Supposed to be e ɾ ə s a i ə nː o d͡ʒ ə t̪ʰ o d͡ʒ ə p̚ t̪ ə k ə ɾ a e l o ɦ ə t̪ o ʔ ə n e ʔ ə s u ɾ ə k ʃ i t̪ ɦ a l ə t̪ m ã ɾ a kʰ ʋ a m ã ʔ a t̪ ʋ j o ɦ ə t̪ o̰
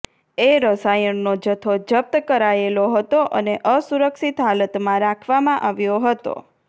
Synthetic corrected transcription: e ɾ ə s a j ə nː o d͡ʒ ə t̪ʰ o d͡ʒ ə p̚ t̪ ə k ə ɾ a e l o ɦ ə t̪ o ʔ ə n e ʔ ə s u ɾ ə k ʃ i t̪ ɦ a l ə t̪ m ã ɾ a kʰ ʋ a m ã ʔ a ʋ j o ɦ ə t̪ o̰

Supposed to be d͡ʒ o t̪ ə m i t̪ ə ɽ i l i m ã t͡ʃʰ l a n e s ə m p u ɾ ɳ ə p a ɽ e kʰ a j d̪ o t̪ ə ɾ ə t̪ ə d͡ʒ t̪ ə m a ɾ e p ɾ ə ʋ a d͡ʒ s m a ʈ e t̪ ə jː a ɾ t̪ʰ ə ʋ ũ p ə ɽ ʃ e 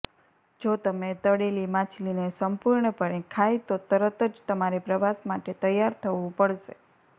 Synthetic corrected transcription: d͡ʒ o t̪ ə m e t̪ ə ɽ e l i m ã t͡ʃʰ l i n e s ə m p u ɾ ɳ ə p ə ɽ e kʰ a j t̪ o t̪ ə ɾ ə t̪ ə d͡ʒ t̪ ə m a ɾ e p ɾ ə ʋ a s m a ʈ e t̪ ə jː a ɾ t̪ʰ ə ʋ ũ p ə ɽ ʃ e

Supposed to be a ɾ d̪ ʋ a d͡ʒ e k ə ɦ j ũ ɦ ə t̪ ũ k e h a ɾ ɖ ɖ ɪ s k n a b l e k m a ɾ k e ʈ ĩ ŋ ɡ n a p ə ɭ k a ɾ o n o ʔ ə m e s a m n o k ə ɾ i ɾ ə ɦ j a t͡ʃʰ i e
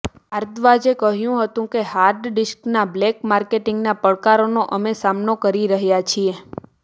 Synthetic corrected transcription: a ɾ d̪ ʋ a d͡ʒ e k ə ɦ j ũ ɦ ə t̪ ũ k e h a ɾ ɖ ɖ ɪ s k n a b l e k m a ɾ k e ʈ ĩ ŋ ɡ n a p ə ɭ k a ɾ o n o ʔ ə m e s a m n o k ə ɾ i ɾ ə ɦ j a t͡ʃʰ i e

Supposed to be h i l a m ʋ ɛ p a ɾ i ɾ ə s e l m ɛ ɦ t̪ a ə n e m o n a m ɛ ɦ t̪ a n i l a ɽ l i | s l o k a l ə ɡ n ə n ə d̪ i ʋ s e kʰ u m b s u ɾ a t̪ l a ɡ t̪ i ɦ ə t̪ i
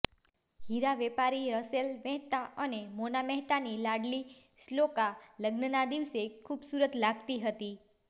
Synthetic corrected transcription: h i ɾ a ʋ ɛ p a ɾ i ɾ ə s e l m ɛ ɦ t̪ a ə n e m o n a m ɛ ɦ t̪ a n i l a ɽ l i | s l o k a l ə ɡ n ə n a d̪ i ʋ s e kʰ u b s u ɾ ə t̪ l a ɡ t̪ i ɦ ə t̪ i

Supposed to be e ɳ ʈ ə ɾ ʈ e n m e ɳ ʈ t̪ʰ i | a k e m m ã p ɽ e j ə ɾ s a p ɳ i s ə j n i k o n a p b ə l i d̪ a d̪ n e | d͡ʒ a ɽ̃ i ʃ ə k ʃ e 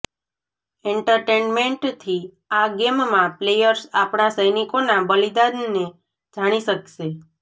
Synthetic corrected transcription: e ɳ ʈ ə ɾ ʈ e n m e ɳ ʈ t̪ʰ i | a ɡ e m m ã p l e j ə ɾ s a p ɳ a s ə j n i k o n a b ə l i d̪ a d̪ n e | d͡ʒ a ɽ̃ i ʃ ə k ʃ e

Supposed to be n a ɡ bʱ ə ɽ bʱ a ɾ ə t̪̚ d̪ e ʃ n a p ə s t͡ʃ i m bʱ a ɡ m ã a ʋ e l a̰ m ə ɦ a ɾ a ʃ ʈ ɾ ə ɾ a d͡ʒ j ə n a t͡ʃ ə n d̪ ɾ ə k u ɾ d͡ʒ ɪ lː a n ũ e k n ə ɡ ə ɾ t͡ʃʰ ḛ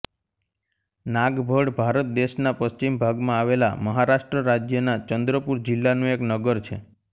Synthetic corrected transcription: n a ɡ bʱ ə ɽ bʱ a ɾ ə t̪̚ d̪ e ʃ n a p ə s t͡ʃ i m bʱ a ɡ m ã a ʋ e l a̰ m ə ɦ a ɾ a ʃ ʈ ɾ ə ɾ a d͡ʒ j ə n a t͡ʃ ə n d̪ ɾ ə p u ɾ d͡ʒ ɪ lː a n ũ e k n ə ɡ ə ɾ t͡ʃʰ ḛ

